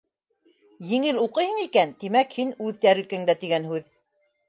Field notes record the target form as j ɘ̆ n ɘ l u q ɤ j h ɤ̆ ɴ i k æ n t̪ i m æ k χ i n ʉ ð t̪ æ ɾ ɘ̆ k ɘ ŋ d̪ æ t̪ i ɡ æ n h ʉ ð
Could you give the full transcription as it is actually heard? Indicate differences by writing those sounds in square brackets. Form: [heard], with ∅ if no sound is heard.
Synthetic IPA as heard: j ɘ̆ [ŋ] ɘ l u q ɤ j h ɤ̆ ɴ i k æ n t̪ i m æ k [h] i n ʉ ð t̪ æ ɾ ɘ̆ k ɘ ŋ d̪ æ t̪ i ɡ æ n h ʉ ð